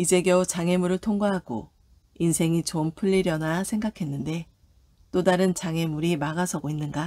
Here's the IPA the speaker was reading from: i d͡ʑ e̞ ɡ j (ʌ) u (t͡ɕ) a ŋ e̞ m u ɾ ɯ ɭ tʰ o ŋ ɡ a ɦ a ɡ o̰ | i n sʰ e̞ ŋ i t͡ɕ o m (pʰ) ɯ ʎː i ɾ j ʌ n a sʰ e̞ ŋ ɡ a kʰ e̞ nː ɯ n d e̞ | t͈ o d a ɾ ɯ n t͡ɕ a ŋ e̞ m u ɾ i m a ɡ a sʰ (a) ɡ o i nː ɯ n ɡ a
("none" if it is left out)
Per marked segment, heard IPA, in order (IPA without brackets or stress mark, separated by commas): ʌ, t͡ɕ, pʰ, ʌ